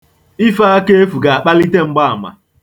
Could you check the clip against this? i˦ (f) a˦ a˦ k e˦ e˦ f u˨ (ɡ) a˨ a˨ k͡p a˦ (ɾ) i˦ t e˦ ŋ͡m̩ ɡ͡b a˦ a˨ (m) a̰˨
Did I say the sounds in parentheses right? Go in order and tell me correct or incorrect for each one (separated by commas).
correct, correct, incorrect, correct